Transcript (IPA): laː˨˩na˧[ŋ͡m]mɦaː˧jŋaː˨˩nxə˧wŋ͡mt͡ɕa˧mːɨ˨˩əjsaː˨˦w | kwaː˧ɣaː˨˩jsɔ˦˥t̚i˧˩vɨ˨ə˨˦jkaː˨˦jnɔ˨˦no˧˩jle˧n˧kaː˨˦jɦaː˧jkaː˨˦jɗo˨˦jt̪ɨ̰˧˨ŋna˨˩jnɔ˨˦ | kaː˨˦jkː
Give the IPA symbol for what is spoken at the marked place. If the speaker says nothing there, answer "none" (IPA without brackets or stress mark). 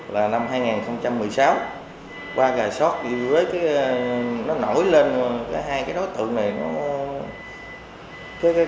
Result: none